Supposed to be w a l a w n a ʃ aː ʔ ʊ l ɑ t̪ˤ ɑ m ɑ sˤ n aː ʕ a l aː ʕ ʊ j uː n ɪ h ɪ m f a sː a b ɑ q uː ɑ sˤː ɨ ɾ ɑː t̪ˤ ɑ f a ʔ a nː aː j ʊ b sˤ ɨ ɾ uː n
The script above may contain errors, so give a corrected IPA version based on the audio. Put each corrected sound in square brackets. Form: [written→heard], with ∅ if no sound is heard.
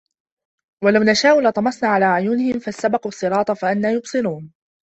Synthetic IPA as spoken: w a l a w n a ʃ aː ʔ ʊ l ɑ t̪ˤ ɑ m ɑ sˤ n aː ʕ a l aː ʕ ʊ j uː n ɪ h ɪ m f a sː a b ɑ q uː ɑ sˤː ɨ ɾ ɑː t̪ˤ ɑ f a ʔ a nː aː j ʊ b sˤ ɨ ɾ uː n